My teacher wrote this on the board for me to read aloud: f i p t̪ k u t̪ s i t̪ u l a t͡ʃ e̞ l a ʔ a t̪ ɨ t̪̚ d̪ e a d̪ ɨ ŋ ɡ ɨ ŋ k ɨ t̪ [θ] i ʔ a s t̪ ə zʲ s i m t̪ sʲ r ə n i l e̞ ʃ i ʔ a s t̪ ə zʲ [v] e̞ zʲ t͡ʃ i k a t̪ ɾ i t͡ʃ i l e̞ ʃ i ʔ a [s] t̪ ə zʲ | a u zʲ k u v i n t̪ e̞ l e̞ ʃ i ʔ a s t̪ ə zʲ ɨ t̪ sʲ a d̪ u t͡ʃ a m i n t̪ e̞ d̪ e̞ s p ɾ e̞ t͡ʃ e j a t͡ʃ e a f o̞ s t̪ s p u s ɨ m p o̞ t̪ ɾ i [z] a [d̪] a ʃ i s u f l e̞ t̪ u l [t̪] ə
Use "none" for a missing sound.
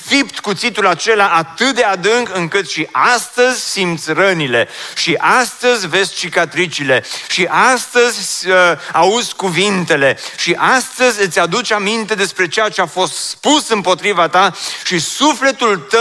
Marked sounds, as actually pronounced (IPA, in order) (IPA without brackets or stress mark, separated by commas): ʃ, v, s, v, t̪, t̪